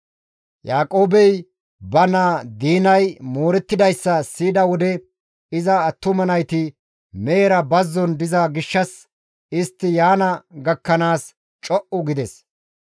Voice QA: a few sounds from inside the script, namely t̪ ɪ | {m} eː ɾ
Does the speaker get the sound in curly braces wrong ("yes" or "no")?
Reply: no